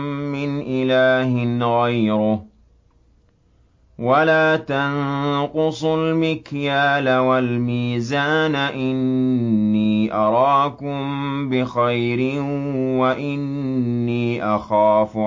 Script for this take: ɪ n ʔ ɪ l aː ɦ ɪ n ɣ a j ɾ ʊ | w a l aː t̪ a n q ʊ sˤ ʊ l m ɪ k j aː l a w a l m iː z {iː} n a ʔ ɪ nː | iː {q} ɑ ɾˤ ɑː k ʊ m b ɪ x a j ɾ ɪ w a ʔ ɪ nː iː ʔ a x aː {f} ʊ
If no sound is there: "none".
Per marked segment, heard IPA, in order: aː, ʔ, f

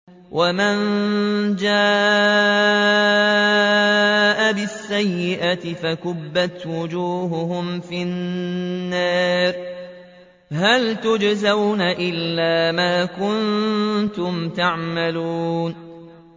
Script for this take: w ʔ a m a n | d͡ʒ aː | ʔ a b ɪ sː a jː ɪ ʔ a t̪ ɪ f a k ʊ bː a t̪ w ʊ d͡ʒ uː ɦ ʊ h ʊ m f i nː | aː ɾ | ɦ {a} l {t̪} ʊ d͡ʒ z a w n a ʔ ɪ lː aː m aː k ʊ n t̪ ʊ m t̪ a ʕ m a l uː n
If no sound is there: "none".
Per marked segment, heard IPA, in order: a, t̪

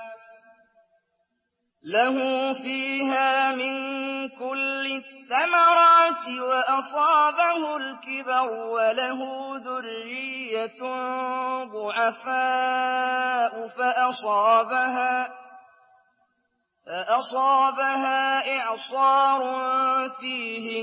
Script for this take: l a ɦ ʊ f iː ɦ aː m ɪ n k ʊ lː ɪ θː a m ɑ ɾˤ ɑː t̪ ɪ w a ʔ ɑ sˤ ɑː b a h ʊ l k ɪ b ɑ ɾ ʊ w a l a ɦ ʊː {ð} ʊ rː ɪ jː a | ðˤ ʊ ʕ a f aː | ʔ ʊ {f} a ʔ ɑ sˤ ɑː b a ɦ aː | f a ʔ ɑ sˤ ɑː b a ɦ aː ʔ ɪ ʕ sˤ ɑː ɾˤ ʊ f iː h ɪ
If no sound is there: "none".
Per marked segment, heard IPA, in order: ð, f

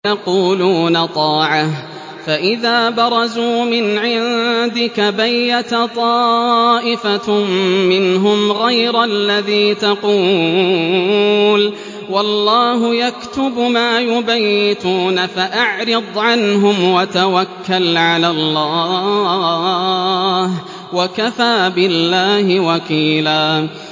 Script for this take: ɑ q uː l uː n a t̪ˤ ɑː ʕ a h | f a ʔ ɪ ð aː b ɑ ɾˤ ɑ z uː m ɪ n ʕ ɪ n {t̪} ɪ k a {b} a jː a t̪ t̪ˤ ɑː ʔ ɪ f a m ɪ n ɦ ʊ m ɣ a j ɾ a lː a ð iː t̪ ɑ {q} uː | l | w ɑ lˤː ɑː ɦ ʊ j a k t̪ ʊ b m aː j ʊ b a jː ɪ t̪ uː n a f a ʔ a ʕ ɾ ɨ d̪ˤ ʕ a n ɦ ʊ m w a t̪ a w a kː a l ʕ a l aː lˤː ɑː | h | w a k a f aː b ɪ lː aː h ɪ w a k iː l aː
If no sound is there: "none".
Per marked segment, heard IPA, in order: d̪, b, q

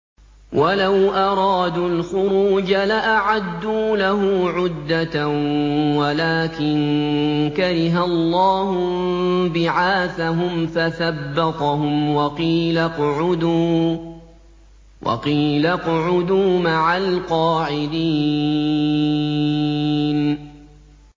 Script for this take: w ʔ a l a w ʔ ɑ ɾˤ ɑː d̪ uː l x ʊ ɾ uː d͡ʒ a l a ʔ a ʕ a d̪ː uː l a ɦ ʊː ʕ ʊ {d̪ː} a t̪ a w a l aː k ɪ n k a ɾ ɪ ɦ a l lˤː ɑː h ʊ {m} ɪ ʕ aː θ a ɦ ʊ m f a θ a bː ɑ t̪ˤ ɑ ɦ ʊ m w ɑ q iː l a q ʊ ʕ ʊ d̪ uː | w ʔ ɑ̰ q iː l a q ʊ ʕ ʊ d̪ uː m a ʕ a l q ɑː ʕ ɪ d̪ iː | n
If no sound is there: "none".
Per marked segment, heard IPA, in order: d̪ː, b

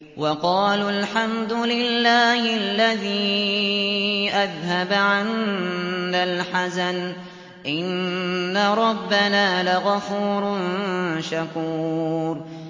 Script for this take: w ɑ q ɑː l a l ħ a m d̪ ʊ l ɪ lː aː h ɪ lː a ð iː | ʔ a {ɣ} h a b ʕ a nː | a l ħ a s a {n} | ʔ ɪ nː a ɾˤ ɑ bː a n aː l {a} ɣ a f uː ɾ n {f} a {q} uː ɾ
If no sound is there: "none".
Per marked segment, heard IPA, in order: ð, n, a, ʃ, k

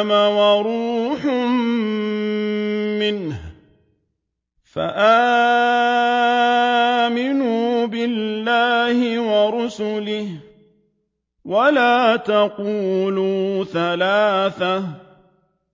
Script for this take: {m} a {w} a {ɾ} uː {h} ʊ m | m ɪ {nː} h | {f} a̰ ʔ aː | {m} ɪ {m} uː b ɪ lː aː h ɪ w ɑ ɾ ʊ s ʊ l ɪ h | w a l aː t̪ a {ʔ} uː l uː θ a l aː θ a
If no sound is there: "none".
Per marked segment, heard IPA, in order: m, w, ɾ, ħ, n, f, m, n, q

